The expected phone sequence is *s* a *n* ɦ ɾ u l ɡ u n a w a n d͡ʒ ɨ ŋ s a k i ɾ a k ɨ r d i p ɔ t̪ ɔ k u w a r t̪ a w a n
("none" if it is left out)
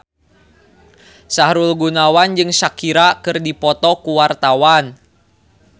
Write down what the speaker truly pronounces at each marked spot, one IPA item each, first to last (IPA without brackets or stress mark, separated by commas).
s, none